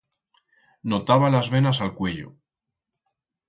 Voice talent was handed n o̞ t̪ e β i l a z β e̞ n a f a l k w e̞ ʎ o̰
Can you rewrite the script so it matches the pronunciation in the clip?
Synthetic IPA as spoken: n o̞ t̪ a β a l a z β e̞ n a s a l k w e̞ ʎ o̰